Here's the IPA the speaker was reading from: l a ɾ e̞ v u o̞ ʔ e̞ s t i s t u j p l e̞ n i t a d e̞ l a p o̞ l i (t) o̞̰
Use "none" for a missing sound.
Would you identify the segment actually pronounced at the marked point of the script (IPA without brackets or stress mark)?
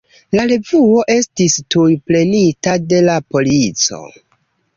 t͡s